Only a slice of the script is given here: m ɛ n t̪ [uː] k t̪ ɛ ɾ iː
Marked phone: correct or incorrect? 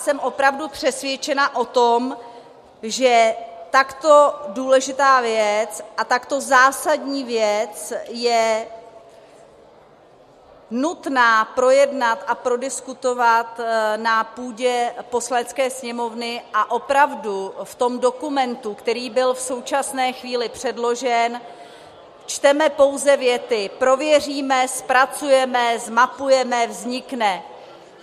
incorrect